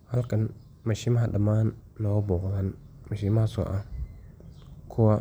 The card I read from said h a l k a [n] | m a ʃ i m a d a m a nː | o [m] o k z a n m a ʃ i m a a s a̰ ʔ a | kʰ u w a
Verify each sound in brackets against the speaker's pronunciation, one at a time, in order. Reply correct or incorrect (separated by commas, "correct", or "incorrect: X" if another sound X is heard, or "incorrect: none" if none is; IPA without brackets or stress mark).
correct, incorrect: b